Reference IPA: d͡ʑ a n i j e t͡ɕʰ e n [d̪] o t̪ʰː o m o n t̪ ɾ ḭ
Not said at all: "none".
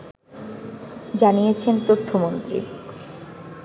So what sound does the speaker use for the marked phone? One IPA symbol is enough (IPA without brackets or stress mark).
t̪